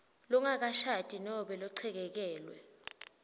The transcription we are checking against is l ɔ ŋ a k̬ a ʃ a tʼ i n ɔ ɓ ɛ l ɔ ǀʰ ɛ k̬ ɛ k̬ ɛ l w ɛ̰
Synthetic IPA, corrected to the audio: l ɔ ŋ a k̬ a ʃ a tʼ i n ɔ ɓ ɛ l ɔ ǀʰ ɛ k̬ ɛ k̬ ɛː l w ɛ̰